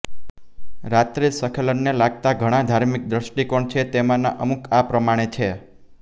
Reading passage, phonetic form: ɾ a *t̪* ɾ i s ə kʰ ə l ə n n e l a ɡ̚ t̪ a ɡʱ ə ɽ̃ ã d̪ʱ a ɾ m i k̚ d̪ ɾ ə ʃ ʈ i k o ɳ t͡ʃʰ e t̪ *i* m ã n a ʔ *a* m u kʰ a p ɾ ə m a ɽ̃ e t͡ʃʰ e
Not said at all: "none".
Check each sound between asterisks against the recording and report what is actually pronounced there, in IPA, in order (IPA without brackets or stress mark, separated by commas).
t̪, e, ə